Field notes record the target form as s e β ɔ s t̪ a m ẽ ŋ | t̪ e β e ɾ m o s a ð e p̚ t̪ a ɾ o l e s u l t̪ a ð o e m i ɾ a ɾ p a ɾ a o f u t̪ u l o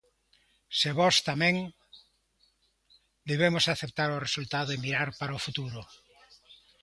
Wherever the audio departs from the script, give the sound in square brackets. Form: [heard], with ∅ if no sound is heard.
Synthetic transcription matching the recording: s e β ɔ s t̪ a m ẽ ŋ | [d̪] e β e [∅] m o s a [θ] e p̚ t̪ a ɾ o [r] e s u l t̪ a ð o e m i ɾ a ɾ p a ɾ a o f u t̪ u [ɾ] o